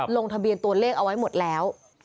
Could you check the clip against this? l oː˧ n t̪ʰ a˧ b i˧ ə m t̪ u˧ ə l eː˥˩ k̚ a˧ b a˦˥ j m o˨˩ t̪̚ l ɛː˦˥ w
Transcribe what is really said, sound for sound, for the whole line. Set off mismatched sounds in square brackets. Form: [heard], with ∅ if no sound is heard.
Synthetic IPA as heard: l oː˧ [ŋ] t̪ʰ a˧ b i˧ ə [n] t̪ u˧ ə l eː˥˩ k̚ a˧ [w] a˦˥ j m o˨˩ t̪̚ l ɛː˦˥ w